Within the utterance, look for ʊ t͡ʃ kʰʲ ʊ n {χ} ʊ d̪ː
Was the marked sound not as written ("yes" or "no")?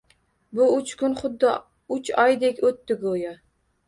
no